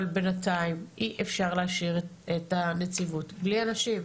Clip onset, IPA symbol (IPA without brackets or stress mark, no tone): l